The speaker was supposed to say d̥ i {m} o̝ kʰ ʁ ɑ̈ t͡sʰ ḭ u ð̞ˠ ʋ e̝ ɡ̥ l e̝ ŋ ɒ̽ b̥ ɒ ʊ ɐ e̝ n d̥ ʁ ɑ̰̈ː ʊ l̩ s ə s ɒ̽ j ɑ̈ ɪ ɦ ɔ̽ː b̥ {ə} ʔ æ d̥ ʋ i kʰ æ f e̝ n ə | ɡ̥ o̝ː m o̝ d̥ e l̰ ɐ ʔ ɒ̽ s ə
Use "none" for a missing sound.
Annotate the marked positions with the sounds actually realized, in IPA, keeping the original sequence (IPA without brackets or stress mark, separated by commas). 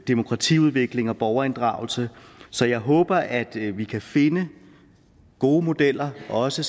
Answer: m, ɐ